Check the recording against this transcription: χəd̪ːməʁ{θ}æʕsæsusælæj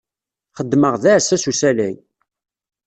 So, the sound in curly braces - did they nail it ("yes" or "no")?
no